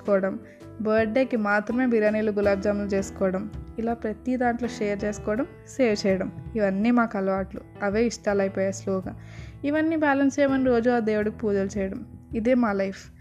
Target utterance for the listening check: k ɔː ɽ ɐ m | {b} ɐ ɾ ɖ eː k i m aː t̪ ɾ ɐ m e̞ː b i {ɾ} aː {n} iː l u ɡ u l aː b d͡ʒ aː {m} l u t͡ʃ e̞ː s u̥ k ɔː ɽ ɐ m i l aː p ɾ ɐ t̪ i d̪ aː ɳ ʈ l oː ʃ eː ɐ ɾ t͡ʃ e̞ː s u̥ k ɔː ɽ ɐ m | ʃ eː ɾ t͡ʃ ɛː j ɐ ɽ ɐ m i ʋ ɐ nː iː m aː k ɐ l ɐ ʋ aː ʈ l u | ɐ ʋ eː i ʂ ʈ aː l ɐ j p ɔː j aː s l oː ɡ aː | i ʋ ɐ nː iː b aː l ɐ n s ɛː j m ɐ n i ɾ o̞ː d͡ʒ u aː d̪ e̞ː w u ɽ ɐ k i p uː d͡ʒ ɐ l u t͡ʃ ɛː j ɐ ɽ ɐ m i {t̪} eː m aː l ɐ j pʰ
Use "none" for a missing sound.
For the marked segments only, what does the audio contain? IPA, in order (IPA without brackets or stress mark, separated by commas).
b, ɾ, n, m, d̪